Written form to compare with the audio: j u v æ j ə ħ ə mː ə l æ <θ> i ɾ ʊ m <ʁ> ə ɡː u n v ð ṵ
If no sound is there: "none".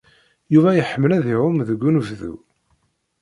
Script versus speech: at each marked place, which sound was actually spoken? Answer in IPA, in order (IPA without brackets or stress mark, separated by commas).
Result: ð, ð